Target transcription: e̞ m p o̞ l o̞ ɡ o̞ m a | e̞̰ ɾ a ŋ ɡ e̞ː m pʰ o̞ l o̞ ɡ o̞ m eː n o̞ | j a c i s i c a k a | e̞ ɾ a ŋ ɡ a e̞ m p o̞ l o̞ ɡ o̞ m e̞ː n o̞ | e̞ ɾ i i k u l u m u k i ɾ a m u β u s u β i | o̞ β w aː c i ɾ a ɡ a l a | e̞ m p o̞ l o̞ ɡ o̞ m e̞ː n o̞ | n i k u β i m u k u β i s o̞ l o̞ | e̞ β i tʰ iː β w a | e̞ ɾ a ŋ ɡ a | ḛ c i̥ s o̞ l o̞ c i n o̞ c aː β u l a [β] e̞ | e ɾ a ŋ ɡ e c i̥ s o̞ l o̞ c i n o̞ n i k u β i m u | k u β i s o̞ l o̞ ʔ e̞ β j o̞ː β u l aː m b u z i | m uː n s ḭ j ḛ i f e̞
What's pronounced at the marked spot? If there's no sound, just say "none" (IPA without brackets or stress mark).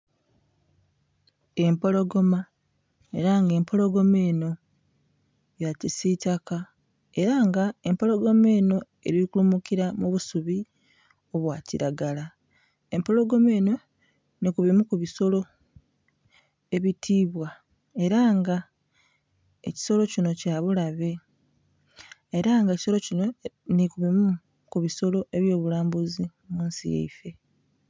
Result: β